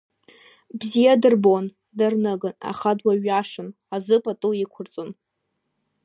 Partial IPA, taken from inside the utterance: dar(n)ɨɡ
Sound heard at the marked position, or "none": n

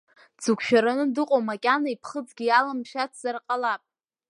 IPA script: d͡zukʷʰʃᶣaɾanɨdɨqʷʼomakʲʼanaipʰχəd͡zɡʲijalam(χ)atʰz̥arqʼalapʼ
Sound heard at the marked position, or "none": ʃ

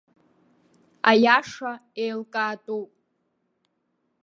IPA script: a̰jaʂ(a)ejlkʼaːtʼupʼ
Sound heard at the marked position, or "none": a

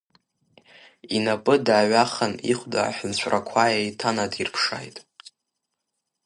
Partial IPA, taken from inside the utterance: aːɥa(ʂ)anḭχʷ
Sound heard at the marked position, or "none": χ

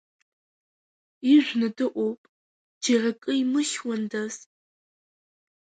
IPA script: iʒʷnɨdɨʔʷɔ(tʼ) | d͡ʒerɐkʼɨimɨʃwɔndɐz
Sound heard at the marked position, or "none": pʼ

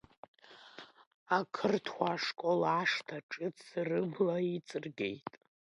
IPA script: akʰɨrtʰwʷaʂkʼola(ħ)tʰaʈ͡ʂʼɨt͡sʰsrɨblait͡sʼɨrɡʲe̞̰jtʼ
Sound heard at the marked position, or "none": ʂ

